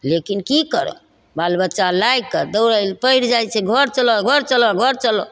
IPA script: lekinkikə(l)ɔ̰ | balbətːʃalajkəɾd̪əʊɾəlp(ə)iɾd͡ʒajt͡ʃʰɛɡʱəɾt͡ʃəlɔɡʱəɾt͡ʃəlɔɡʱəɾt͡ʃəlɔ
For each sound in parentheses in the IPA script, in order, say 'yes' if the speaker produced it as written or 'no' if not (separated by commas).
no, yes